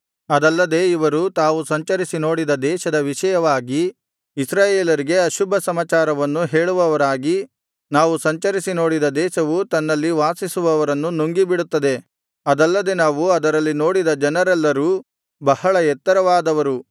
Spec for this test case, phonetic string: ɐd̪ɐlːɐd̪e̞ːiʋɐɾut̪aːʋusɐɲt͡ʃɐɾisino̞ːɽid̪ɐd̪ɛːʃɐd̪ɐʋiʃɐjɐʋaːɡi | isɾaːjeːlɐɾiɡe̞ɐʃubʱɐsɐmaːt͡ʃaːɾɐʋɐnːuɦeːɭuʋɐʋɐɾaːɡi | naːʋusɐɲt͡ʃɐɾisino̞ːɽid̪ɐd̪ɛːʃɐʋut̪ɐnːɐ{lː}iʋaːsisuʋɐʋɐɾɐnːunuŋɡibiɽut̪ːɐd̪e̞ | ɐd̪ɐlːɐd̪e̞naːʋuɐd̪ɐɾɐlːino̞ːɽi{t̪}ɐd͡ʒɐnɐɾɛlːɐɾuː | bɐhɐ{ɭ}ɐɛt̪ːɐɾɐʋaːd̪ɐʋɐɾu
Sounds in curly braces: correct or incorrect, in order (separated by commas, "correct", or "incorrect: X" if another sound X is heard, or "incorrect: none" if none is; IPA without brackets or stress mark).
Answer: correct, incorrect: d̪, correct